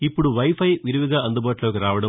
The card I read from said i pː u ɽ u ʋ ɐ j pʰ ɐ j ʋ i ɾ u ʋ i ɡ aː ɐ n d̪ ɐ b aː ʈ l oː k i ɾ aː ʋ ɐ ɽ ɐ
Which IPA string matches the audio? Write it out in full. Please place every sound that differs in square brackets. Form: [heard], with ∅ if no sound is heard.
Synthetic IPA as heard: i pː u ɽ u ʋ ɐ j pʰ ɐ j ʋ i ɾ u ʋ i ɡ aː ɐ n d̪ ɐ b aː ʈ l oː k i ɾ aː ʋ ɐ ɽ ɐ